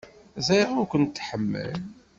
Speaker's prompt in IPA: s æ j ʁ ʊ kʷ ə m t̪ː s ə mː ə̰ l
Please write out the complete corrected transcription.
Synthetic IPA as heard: z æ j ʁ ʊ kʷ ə n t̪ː ħ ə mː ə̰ l